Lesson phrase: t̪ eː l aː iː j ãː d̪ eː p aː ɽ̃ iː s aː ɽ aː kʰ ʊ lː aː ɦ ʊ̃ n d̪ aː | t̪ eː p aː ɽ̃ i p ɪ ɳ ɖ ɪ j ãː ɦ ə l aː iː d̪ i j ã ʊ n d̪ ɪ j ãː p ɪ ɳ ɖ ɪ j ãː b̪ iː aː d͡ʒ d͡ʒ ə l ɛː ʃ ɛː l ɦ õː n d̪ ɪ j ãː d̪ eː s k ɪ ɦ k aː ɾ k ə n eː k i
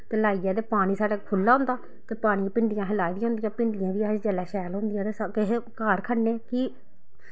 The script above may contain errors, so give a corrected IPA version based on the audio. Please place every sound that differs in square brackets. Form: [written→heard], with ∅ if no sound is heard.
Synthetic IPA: t̪ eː l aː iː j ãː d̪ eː p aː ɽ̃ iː s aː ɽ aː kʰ ʊ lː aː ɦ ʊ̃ n d̪ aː | t̪ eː p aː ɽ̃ i p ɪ ɳ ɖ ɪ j ãː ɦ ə l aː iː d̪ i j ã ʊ n d̪ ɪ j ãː p ɪ ɳ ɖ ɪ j ãː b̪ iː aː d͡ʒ d͡ʒ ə l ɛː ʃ ɛː l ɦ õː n d̪ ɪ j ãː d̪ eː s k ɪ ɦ k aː ɾ [k→kʰ] ə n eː k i